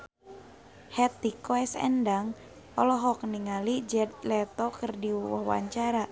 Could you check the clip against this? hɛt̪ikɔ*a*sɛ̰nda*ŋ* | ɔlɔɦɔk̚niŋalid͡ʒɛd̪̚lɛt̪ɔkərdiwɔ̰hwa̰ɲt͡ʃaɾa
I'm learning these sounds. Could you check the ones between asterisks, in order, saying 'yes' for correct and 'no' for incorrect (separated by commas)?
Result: no, yes